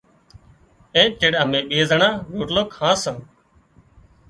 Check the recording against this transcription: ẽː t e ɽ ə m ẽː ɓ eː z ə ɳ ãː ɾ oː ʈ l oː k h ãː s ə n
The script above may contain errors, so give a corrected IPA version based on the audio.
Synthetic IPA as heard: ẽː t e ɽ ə m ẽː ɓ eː z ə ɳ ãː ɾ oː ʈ l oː k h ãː s ə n